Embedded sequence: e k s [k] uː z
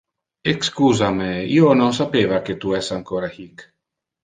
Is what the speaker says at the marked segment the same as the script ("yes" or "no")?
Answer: yes